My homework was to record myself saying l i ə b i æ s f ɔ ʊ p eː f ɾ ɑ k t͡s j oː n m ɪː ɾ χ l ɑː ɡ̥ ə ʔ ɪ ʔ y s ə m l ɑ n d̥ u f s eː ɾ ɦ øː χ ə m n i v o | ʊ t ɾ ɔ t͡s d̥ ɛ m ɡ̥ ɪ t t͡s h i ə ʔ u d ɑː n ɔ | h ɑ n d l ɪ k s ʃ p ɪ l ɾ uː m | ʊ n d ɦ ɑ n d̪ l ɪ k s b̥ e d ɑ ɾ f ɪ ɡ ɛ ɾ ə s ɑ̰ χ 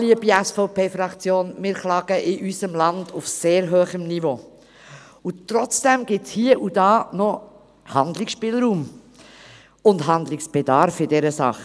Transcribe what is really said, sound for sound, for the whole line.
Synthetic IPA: l i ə b i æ s f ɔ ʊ p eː f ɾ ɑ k t͡s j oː n m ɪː ɾ χ l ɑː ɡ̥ ə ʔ ɪ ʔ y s ə m l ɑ n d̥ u f s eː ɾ ɦ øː χ ə m n i v o | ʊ t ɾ ɔ t͡s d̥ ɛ m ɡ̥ ɪ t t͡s h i ə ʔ u d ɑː n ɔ | h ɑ n d l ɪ k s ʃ p ɪ l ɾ uː m | ʊ n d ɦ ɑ n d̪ l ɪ k s b̥ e d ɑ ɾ f ɪ d ɛ ɾ ə s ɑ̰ χ